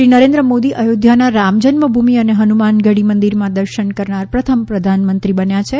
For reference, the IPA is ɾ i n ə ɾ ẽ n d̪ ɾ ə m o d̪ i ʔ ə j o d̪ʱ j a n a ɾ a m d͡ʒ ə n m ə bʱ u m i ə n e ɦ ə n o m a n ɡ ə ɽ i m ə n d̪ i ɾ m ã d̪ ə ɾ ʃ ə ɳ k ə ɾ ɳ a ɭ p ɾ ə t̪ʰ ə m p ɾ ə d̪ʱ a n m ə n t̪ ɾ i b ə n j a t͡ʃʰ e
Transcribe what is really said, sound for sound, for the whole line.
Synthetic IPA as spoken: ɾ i n ə ɾ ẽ n d̪ ɾ ə m o d̪ i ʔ ə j o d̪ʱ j a n a ɾ a m d͡ʒ ə n m ə bʱ u m i ə n e ɦ ə n u m a n ɡ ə ɽ i m ə n d̪ i ɾ m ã d̪ ə ɾ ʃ ə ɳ k ə ɾ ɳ a ɾ p ɾ ə t̪ʰ ə m p ɾ ə d̪ʱ a n m ə n t̪ ɾ i b ə n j a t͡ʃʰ e